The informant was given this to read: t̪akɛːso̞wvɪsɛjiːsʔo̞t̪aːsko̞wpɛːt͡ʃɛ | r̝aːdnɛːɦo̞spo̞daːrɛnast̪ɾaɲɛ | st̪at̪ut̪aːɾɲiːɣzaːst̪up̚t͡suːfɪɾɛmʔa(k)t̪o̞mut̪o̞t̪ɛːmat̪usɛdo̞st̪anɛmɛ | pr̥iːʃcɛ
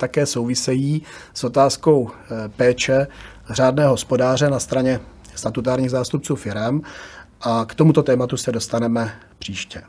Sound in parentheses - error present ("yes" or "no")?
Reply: no